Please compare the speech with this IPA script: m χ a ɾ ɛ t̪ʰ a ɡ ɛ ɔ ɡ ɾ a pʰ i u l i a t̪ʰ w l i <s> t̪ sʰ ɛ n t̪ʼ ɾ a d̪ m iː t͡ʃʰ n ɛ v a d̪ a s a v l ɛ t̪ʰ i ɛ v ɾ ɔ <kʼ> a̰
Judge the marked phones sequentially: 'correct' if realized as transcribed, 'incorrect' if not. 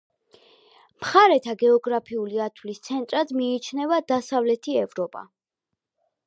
correct, incorrect: pʼ

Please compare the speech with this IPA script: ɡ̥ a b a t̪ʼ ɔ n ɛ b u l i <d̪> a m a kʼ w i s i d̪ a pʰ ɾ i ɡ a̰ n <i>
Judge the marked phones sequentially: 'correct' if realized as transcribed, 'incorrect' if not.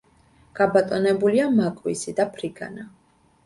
incorrect: none, incorrect: a

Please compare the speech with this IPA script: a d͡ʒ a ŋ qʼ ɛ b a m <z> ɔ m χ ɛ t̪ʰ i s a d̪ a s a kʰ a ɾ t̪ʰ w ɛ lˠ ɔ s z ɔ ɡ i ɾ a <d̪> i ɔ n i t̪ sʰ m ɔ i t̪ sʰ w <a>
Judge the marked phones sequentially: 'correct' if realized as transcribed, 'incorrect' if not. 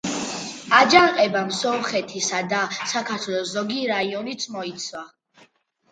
incorrect: s, incorrect: none, correct

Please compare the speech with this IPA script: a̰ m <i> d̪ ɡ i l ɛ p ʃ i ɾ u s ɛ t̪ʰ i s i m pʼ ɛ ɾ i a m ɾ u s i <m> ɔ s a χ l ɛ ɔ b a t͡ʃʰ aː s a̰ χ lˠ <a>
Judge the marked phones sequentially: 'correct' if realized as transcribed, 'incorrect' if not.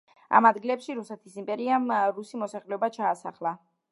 incorrect: a, correct, correct

